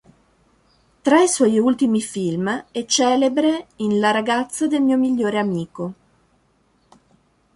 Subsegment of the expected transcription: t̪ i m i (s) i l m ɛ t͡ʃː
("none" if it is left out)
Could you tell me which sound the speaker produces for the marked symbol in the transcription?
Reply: f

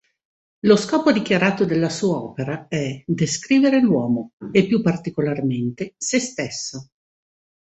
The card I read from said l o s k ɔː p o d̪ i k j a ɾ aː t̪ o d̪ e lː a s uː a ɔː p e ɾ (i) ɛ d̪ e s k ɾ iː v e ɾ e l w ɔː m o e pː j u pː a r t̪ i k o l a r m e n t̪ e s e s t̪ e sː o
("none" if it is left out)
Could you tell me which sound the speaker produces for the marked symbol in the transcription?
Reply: a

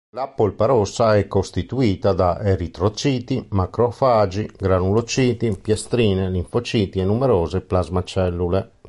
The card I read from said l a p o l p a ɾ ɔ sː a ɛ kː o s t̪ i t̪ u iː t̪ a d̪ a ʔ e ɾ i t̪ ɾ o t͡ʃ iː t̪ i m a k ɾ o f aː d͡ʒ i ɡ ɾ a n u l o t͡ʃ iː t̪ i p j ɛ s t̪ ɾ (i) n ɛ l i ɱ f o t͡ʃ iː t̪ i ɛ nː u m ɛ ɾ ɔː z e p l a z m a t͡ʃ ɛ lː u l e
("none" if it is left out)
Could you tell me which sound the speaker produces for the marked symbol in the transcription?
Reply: iː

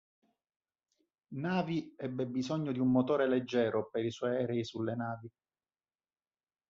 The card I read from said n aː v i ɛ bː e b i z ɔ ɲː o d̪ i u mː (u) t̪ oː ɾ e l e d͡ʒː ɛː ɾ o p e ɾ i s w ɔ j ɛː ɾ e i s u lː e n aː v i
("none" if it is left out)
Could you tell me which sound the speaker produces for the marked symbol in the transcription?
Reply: o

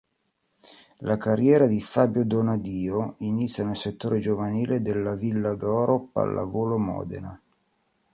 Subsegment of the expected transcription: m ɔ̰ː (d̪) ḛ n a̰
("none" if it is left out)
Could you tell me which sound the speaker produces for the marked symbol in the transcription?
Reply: d̪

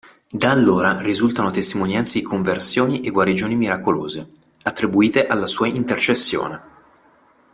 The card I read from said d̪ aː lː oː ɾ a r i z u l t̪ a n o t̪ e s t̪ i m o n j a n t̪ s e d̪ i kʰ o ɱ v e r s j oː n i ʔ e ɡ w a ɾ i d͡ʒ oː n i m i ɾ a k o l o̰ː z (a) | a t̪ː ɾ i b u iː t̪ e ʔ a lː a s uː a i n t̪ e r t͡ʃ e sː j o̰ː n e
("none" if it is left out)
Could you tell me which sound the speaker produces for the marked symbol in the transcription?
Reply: e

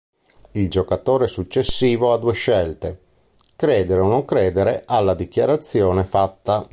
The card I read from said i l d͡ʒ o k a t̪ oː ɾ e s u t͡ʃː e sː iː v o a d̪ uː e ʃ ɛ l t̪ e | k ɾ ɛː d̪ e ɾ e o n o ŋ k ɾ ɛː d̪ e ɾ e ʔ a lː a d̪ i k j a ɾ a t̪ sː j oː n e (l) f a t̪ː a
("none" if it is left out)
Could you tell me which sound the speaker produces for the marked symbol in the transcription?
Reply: none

